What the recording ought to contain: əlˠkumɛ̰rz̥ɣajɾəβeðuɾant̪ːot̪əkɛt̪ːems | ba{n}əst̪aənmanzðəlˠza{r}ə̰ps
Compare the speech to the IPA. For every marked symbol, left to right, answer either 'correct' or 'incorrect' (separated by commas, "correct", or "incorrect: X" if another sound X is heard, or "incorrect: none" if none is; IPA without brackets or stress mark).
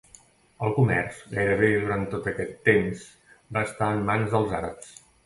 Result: incorrect: none, incorrect: ɾ